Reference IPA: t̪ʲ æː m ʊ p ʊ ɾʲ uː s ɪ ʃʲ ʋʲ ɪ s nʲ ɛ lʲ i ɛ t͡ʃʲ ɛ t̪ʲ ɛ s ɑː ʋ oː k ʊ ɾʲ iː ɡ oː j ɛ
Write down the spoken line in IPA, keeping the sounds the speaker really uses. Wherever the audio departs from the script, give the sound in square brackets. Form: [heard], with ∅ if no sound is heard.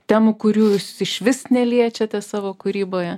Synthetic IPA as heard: t̪ʲ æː m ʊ [k] ʊ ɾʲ uː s ɪ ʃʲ ʋʲ ɪ s nʲ ɛ lʲ i ɛ t͡ʃʲ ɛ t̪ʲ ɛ s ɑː ʋ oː k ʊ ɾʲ iː [b] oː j ɛ